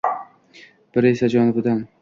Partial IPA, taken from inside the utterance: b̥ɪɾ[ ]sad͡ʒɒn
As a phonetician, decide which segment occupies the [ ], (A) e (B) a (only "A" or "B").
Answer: A